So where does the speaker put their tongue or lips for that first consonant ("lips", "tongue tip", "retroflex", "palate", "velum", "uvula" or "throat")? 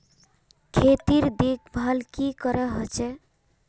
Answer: velum